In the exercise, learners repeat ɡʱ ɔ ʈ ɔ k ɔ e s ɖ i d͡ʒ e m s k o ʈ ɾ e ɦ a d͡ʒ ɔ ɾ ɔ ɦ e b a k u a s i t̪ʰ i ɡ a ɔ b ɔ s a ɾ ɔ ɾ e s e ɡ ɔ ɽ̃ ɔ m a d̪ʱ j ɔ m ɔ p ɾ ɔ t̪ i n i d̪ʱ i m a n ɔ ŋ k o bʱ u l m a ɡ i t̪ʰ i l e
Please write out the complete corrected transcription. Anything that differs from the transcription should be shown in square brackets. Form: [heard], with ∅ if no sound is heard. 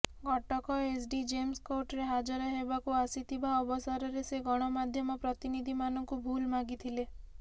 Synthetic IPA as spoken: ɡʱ ɔ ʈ ɔ k ɔ e s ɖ i d͡ʒ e m s k o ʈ ɾ e ɦ a d͡ʒ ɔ ɾ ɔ ɦ e b a k u a s i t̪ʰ i [b] a ɔ b ɔ s a ɾ ɔ ɾ e s e ɡ ɔ ɽ̃ ɔ m a d̪ʱ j ɔ m ɔ p ɾ ɔ t̪ i n i d̪ʱ i m a n ɔ ŋ k [u] bʱ u l m a ɡ i t̪ʰ i l e